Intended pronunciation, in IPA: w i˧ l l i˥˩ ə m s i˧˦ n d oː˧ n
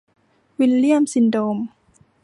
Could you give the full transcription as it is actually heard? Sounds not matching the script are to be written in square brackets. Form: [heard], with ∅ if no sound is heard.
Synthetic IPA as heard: w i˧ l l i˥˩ ə m s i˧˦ n d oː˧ [m]

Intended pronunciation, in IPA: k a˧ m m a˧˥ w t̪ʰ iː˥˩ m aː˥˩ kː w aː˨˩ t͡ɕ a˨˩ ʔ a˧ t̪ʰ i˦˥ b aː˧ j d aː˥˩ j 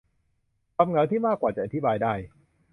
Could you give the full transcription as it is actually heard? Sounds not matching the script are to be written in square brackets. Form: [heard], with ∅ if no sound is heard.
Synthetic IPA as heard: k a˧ m [ŋ] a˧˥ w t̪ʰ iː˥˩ m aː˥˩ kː w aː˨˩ t͡ɕ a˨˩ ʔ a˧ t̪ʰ i˦˥ b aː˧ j d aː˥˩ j

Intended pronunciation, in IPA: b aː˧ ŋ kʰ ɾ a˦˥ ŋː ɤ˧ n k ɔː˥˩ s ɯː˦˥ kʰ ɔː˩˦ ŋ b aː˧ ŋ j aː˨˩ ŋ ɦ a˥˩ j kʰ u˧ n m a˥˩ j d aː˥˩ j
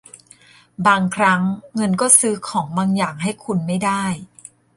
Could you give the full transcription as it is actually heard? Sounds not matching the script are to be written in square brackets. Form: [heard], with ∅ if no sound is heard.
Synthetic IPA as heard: b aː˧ ŋ kʰ ɾ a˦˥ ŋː ɤ˧ n k ɔː˥˩ s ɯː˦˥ kʰ ɔː˩˦ ŋ b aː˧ ŋ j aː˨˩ ŋ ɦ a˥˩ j kʰ u˧ n m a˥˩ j d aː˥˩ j

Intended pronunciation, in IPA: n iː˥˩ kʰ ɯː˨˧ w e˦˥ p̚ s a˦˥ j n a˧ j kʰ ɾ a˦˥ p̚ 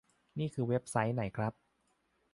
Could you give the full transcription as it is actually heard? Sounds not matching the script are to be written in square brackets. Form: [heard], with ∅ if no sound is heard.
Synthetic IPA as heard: n iː˥˩ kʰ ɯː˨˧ w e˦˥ p̚ s a˦˥ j n [a˩˦] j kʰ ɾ a˦˥ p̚

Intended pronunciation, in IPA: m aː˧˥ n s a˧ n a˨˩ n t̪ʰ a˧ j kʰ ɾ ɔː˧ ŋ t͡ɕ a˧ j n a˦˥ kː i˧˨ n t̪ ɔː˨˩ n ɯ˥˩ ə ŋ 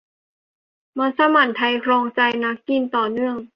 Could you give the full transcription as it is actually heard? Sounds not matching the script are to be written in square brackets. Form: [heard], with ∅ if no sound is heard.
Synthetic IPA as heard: m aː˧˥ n s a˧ [m] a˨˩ n t̪ʰ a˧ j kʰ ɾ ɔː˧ ŋ t͡ɕ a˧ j n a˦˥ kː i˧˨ n t̪ ɔː˨˩ n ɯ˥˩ ə ŋ

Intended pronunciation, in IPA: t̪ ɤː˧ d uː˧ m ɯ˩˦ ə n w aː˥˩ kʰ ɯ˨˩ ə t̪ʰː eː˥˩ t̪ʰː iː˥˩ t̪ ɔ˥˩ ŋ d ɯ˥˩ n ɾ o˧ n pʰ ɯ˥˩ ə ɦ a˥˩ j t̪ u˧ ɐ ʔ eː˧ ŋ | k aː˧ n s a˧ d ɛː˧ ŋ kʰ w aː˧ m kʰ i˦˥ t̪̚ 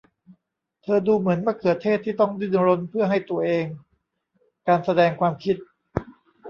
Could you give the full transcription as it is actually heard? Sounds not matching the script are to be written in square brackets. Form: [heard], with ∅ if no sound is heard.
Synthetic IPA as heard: [t̪ʰ] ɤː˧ d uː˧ m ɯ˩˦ ə n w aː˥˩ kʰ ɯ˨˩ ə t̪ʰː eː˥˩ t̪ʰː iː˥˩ t̪ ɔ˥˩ ŋ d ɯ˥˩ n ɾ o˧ n pʰ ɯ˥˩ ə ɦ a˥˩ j t̪ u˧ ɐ ʔ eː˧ ŋ | k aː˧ n s a˧ d ɛː˧ ŋ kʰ w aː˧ m kʰ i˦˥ t̪̚

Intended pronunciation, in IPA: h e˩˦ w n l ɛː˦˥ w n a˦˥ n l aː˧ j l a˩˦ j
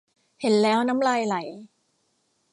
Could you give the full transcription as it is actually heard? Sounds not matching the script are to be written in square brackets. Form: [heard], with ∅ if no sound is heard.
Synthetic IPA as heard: h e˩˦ [∅] n l ɛː˦˥ w n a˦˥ [m] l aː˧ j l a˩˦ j

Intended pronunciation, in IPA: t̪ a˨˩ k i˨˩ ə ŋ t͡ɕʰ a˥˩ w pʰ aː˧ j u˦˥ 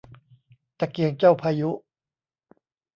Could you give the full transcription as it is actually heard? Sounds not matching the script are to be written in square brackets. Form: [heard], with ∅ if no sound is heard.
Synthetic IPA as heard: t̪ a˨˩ k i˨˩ ə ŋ [t͡ɕ] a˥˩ w pʰ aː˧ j u˦˥

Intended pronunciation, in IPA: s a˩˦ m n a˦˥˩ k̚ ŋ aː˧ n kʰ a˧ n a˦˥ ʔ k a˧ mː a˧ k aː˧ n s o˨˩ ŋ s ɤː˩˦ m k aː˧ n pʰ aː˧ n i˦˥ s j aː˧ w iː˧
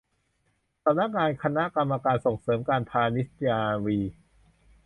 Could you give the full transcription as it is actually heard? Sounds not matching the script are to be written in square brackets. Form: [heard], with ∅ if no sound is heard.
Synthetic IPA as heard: s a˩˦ m n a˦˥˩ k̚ ŋ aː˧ n kʰ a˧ n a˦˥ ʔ k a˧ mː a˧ k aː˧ n s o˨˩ ŋ s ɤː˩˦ m k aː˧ n pʰ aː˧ n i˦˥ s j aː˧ w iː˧

